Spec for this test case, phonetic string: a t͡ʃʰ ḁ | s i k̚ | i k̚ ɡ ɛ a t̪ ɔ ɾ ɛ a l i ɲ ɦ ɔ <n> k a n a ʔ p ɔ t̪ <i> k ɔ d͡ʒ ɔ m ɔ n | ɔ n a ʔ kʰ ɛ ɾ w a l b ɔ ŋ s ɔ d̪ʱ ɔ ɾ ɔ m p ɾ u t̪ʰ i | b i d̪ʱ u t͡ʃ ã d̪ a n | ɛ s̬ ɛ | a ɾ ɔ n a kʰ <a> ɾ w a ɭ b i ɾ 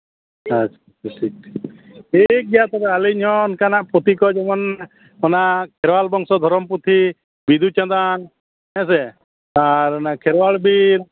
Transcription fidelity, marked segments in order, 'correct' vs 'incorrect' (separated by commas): correct, correct, incorrect